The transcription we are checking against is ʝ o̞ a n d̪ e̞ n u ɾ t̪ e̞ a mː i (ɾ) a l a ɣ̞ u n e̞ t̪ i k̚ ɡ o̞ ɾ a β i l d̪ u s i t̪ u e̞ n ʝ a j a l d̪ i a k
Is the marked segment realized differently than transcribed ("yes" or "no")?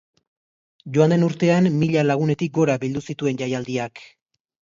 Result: yes